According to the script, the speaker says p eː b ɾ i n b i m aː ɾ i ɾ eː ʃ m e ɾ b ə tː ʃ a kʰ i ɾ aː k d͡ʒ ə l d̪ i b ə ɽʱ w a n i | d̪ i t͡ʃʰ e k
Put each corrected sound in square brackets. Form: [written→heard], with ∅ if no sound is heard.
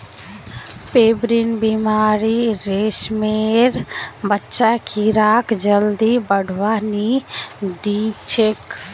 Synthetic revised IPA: p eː b ɾ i n b i m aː ɾ i ɾ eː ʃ m e ɾ b ə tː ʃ a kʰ i ɾ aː k d͡ʒ ə l d̪ i b ə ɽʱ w a n i | d̪ i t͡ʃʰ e k